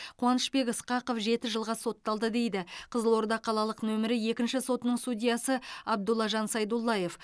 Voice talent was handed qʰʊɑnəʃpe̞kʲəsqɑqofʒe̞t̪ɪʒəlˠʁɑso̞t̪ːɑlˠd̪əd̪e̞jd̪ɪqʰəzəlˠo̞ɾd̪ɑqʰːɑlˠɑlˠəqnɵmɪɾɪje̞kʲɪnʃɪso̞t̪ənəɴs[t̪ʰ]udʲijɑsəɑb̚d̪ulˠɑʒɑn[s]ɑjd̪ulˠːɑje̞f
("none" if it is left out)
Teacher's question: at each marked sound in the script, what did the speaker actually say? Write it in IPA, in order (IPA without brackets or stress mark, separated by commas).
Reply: t̪, s